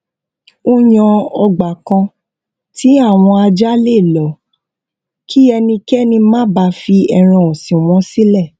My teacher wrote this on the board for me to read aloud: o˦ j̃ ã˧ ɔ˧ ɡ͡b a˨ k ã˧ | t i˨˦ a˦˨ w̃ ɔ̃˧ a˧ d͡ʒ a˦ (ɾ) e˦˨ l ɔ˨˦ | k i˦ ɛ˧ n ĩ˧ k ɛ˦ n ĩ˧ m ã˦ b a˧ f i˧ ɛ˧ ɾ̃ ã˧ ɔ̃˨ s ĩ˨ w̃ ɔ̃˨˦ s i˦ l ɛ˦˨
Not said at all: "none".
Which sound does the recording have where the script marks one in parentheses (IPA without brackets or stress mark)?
l